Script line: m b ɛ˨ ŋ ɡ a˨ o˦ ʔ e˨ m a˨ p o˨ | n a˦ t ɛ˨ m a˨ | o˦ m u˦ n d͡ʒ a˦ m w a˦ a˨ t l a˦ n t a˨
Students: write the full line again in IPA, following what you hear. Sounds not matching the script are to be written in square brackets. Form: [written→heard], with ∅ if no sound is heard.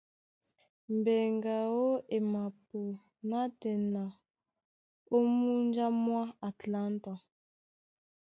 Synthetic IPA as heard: m b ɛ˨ ŋ ɡ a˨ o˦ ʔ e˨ m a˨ p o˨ | n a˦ t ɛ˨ [m→n] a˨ | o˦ m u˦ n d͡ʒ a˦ m w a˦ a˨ t l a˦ n t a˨